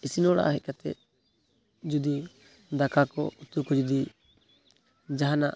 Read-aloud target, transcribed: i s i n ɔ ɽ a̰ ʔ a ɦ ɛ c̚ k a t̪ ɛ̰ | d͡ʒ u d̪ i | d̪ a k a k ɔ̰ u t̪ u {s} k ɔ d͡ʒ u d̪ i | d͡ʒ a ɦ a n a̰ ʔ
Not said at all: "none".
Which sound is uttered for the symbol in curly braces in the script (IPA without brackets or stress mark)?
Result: none